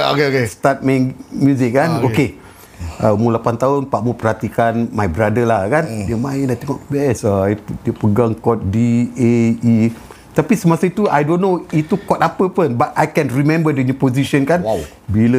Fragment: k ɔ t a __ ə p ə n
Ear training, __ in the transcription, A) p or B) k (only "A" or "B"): A